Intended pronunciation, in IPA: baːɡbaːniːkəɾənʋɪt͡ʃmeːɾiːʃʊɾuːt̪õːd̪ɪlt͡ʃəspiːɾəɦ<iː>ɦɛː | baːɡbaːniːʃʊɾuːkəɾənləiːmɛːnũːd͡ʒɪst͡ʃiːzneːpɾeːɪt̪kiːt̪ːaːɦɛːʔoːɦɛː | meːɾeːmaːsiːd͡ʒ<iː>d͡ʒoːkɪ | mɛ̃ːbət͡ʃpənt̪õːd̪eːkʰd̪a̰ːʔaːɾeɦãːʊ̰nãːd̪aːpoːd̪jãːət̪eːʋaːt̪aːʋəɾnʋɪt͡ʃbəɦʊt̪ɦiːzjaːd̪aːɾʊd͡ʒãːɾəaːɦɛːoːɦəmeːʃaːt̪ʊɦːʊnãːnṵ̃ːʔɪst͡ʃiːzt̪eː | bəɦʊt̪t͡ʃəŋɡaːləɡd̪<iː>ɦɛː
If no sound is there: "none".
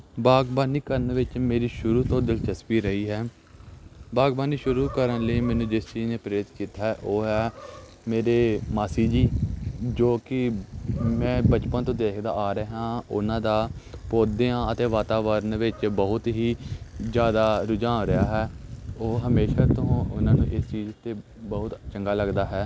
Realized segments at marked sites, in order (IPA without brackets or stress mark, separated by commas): iː, iː, aː